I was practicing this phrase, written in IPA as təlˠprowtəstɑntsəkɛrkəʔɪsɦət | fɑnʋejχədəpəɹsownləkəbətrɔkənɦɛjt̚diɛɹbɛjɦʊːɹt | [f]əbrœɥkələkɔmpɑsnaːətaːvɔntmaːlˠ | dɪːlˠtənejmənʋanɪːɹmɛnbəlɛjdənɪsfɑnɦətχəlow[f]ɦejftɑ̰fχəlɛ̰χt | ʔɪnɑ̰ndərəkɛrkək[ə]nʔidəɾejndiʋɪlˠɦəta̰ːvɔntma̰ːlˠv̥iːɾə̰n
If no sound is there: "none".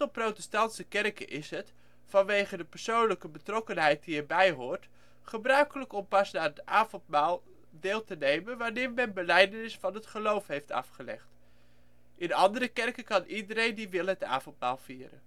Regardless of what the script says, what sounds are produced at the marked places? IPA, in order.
χ, f, ɑ

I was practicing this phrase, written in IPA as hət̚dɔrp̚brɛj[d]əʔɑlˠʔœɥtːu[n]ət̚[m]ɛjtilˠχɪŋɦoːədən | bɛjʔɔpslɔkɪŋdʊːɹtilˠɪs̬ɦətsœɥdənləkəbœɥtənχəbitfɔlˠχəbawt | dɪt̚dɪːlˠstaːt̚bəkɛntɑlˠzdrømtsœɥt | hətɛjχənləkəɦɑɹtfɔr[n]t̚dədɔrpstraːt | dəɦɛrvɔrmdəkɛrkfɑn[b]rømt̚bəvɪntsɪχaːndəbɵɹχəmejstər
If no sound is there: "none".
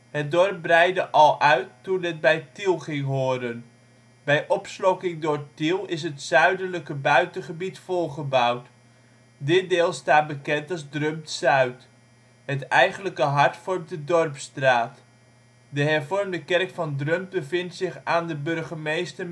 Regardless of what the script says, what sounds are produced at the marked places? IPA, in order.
d, n, b, m, d

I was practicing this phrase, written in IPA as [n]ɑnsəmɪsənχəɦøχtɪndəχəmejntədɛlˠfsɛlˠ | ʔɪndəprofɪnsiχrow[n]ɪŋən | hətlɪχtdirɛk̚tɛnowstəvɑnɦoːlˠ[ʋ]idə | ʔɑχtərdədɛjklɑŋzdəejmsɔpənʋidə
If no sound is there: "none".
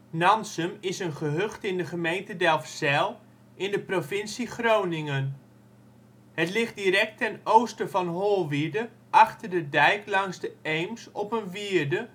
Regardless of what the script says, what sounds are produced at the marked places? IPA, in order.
n, n, ʋ

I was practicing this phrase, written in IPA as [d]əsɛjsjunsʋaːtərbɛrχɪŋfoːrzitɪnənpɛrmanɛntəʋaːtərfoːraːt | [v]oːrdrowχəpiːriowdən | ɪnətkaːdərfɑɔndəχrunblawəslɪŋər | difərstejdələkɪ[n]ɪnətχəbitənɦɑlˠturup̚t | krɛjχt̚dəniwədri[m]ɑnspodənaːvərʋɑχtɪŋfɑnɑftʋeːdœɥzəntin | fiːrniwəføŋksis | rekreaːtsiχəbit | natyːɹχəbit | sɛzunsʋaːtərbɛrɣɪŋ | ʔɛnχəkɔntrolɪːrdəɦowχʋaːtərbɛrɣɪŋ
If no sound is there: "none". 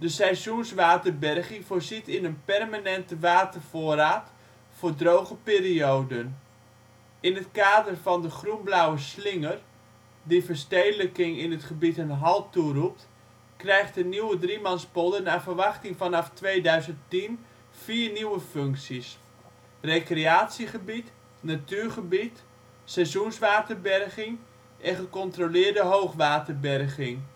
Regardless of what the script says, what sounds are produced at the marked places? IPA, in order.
d, f, ŋ, m

